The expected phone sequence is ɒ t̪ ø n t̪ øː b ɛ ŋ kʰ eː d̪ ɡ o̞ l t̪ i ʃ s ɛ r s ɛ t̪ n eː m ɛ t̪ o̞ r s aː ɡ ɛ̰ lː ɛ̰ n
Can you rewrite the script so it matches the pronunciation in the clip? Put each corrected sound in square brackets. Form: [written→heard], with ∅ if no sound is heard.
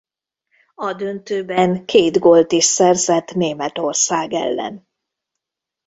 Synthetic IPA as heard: ɒ [t̪→d̪] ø n t̪ øː b ɛ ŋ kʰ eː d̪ ɡ o̞ l t̪ i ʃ s ɛ r [s→z] ɛ t̪ n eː m ɛ t̪ o̞ r s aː ɡ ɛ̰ lː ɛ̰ n

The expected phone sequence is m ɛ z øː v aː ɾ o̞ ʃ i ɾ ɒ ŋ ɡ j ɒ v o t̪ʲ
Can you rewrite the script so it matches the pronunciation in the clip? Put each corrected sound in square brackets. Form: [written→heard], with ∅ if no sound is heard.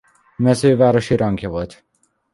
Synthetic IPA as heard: m ɛ z øː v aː ɾ o̞ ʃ i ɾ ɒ ŋ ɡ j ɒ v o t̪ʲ

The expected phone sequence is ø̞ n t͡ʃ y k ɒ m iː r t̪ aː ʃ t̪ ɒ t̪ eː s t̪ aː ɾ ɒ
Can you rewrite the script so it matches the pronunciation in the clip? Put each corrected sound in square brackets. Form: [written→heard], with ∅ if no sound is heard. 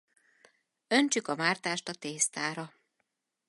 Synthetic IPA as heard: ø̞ n t͡ʃ y k ɒ m [iː→aː] r t̪ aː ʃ t̪ ɒ t̪ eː s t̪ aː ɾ ɒ

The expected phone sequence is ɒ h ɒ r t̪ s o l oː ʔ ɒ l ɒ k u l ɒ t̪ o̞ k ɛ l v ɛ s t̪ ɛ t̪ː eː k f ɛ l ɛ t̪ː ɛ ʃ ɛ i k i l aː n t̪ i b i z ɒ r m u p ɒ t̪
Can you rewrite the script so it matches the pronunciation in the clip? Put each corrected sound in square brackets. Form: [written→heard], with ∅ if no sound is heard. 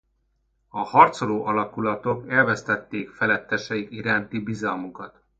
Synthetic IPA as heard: ɒ h ɒ r t̪ s o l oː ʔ ɒ l ɒ k u l ɒ t̪ o̞ k ɛ l v ɛ s t̪ ɛ t̪ː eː k f ɛ l ɛ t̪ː ɛ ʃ ɛ i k i [l→ɾ] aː n t̪ i b i z ɒ [r→l] m u [p→k] ɒ t̪

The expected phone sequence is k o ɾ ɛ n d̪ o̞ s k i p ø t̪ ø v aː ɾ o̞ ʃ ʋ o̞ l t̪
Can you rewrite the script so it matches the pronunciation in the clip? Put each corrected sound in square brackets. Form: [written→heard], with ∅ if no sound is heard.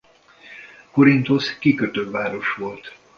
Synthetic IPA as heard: k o ɾ [ɛ→i] n [d̪→t̪] o̞ s k i [p→k] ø t̪ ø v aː ɾ o̞ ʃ ʋ o̞ l t̪

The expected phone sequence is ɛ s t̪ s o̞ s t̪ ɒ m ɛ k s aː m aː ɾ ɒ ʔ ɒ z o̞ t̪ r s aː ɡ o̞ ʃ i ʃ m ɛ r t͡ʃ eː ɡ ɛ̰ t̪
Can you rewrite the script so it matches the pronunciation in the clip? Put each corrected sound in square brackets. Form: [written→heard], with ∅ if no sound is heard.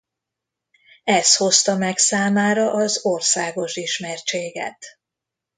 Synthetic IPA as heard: ɛ s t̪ [s→h] o̞ s t̪ ɒ m ɛ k s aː m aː ɾ ɒ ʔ ɒ z o̞ [t̪→∅] r s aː ɡ o̞ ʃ i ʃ m ɛ r t͡ʃ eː ɡ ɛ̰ t̪

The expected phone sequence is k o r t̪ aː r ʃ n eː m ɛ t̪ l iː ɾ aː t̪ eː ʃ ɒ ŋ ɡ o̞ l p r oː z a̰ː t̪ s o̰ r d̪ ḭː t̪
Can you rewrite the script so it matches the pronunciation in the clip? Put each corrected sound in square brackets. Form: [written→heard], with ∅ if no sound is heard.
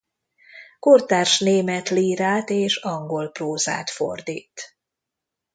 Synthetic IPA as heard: k o r t̪ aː r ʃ n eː m ɛ t̪ l iː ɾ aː t̪ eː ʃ ɒ ŋ ɡ o̞ l p r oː z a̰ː t̪ [s→f] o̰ r d̪ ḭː t̪

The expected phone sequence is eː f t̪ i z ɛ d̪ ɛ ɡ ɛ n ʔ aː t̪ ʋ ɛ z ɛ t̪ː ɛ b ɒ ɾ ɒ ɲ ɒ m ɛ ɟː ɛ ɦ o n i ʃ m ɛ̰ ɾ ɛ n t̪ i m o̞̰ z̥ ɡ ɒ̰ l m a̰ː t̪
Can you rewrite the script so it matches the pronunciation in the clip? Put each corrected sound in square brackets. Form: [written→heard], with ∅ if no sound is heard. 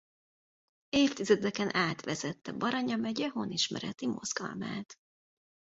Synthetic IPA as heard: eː f t̪ i z ɛ d̪ ɛ [ɡ→k] ɛ n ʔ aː t̪ ʋ ɛ z ɛ t̪ː ɛ b ɒ ɾ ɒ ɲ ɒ m ɛ [ɟː→ɟ] ɛ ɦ o n i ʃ m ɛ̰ ɾ ɛ [n→∅] t̪ i m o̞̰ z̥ ɡ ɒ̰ l m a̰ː t̪

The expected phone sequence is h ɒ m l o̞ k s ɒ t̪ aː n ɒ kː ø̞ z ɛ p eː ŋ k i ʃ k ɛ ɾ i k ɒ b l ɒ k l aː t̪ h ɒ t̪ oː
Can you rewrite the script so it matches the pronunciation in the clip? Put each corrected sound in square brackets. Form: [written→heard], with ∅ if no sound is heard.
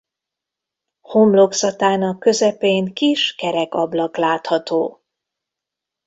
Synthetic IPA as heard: h [ɒ→o] m l o̞ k s ɒ t̪ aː n ɒ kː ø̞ z ɛ p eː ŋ k i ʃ k ɛ ɾ [i→ɛ] k ɒ b l ɒ k l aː t̪ h ɒ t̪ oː

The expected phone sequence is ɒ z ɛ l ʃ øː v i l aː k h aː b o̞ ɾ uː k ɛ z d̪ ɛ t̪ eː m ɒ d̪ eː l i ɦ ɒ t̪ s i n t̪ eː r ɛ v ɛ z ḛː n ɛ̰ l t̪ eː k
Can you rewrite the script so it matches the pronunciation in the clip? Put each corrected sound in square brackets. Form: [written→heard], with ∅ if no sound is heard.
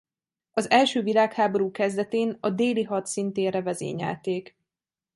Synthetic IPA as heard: ɒ z ɛ l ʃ øː v i l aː k h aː b o̞ ɾ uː k ɛ z d̪ ɛ t̪ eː [m→n] ɒ d̪ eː l i ɦ ɒ t̪ s i n t̪ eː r ɛ v ɛ z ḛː [n→ɲ] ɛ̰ l t̪ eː k

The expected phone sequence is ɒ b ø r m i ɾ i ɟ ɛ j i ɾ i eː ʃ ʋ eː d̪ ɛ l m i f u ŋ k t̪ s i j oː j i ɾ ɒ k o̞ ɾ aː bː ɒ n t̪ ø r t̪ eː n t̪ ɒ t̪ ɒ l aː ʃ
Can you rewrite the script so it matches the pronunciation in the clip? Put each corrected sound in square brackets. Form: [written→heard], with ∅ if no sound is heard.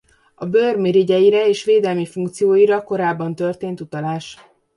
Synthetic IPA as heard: ɒ b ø r m i ɾ i ɟ ɛ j i ɾ [i→ɛ] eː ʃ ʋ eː d̪ ɛ l m i f u ŋ k t̪ s i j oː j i ɾ ɒ k o̞ ɾ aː bː ɒ n t̪ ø r t̪ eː n t̪ [ɒ→u] t̪ ɒ l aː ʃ

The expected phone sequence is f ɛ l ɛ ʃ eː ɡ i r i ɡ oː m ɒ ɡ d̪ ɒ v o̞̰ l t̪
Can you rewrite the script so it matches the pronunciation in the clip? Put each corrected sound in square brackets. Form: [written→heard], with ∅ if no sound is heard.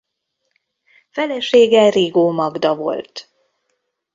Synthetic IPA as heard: f ɛ l ɛ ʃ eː ɡ [i→ɛ] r i ɡ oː m ɒ ɡ d̪ ɒ v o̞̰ l t̪

